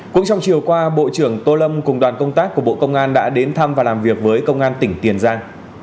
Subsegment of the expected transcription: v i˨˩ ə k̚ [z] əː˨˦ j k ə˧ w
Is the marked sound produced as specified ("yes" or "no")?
no